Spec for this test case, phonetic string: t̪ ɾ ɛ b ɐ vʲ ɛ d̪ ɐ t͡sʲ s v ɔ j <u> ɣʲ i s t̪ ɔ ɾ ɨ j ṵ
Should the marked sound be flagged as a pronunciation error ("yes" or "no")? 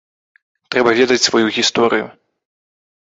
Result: no